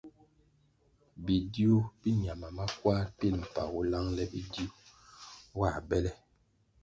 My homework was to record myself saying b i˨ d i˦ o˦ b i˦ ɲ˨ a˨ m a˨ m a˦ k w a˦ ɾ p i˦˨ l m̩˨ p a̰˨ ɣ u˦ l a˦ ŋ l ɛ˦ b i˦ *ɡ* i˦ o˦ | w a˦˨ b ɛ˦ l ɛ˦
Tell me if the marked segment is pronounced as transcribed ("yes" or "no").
no